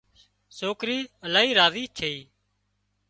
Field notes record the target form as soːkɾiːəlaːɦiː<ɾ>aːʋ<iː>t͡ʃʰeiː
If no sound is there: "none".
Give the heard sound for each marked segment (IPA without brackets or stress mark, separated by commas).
ɾ, iː